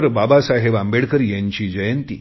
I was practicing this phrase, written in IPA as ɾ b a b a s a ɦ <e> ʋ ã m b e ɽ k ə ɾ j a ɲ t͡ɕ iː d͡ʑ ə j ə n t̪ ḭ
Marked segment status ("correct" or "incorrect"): correct